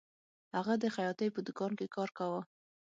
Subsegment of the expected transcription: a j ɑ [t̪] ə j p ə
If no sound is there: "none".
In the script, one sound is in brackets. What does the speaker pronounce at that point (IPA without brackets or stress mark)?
t̪